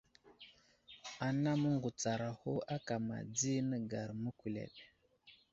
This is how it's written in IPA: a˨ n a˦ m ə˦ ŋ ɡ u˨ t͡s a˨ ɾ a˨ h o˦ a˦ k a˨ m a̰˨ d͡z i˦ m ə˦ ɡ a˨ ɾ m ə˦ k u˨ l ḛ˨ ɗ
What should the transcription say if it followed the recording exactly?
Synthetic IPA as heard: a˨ n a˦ m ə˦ ŋ ɡ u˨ t͡s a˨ ɾ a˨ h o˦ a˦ k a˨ m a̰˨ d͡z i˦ n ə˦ ɡ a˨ ɾ m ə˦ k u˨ l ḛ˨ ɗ